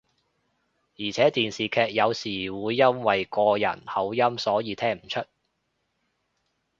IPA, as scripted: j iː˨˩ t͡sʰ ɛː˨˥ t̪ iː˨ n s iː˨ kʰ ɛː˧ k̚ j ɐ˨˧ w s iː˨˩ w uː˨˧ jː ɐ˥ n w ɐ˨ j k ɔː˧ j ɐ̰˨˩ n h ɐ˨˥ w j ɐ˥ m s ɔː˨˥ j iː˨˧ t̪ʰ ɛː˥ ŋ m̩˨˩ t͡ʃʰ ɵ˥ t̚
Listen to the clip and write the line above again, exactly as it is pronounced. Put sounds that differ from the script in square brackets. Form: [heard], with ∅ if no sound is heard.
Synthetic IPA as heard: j iː˨˩ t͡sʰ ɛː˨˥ t̪ iː˨ n s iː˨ kʰ ɛː˧ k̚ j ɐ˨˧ w s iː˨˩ w uː˨˧ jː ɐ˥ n w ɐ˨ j k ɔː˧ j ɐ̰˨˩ n h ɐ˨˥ w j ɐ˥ m s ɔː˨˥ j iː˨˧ t̪ʰ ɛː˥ ŋ m̩˨˩ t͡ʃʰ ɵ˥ t̚

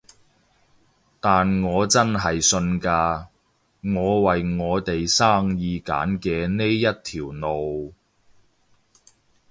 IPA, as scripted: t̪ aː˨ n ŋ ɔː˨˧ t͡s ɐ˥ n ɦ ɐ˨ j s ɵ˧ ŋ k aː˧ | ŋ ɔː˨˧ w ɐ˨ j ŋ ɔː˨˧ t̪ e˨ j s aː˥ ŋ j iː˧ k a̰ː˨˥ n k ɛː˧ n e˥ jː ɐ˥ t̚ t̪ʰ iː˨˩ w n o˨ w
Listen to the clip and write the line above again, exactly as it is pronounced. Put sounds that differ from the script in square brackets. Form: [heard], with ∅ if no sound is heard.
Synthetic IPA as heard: t̪ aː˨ n ŋ ɔː˨˧ t͡s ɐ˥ n ɦ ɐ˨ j s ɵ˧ [n] k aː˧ | ŋ ɔː˨˧ w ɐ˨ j ŋ ɔː˨˧ t̪ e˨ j s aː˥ ŋ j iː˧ k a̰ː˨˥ n k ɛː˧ n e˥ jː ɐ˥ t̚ t̪ʰ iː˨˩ w n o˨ w

